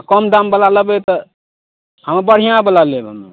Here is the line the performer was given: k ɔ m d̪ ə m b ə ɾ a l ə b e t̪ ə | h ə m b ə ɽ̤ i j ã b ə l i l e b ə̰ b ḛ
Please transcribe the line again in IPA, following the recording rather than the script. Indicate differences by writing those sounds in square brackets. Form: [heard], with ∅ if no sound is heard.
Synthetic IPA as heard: k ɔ m d̪ [a] m b ə [l] a l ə b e t̪ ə | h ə m b ə ɽ̤ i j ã b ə l [a] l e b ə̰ [m] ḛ